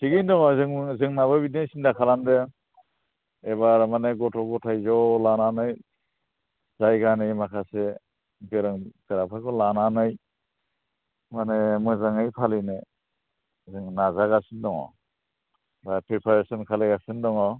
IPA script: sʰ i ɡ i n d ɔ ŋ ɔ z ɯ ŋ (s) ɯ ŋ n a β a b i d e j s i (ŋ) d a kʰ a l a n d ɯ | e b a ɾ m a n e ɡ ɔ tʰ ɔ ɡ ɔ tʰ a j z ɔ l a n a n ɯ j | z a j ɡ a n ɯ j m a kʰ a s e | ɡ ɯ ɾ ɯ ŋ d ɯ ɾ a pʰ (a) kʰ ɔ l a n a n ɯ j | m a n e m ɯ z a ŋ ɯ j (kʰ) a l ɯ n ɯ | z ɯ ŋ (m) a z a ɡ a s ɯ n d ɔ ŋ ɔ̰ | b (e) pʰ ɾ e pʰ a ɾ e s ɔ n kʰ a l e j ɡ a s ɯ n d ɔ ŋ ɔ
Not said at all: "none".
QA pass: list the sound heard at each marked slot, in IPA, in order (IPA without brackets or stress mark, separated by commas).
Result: z, n, a, pʰ, n, a